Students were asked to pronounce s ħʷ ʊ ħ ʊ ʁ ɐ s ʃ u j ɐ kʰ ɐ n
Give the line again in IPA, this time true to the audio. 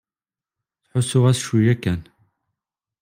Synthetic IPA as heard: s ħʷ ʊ s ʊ ʁ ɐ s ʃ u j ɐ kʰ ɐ n